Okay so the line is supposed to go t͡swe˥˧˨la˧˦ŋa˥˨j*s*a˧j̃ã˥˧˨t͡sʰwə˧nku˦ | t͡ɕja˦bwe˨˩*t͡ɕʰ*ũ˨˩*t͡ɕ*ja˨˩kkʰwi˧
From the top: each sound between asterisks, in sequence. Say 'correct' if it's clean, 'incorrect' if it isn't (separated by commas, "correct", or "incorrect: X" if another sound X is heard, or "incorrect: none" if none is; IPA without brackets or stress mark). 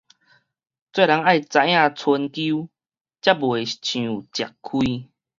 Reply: incorrect: t͡s, correct, correct